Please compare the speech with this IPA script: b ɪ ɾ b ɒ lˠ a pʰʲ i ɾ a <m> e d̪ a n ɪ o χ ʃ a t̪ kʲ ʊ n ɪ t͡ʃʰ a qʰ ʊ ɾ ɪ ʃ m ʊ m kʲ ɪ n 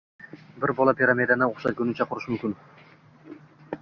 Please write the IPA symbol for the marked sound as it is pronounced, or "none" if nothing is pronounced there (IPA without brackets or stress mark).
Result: m